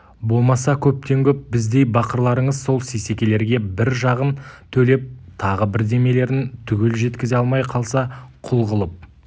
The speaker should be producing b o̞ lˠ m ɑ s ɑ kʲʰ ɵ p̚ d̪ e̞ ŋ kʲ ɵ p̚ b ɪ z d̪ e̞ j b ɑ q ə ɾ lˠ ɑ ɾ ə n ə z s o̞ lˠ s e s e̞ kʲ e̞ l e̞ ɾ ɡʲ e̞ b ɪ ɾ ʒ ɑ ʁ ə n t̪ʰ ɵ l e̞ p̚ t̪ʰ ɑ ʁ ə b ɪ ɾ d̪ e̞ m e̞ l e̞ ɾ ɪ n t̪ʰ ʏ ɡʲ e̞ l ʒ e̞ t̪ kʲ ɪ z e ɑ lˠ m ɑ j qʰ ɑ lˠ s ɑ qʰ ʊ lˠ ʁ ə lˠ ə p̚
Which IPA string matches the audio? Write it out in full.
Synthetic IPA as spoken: b o̞ lˠ m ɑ s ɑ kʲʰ ɵ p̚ t̪ e̞ ŋ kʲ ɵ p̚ b ɪ z d̪ e̞ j b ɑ q ə ɾ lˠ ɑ ɾ ə ɴ ə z s o̞ lˠ s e s e̞ kʲ e̞ l e̞ ɾ ɡʲ e̞ b ɪ ɾ ʒ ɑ ʁ ə n t̪ʰ ɵ l e̞ p̚ t̪ʰ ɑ ʁ ə b ɪ ɾ d̪ e̞ m e̞ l e̞ ɾ ɪ n t̪ʰ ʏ ɡʲ e̞ l ʒ e̞ t̪ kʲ ɪ z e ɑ lˠ m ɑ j qʰ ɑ lˠ s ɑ qʰ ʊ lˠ ʁ ə lˠ ə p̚